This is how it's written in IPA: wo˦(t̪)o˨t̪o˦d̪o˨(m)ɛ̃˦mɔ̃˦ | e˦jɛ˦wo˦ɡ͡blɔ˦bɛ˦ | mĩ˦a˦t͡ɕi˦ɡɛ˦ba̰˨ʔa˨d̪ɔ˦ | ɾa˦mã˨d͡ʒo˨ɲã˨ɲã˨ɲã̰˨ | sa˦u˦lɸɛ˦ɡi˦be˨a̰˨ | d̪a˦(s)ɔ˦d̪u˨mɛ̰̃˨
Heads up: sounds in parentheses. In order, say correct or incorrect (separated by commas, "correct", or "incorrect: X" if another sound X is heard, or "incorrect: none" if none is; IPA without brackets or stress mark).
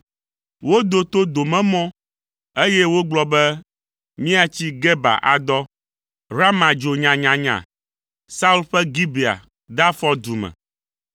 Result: incorrect: d̪, correct, incorrect: f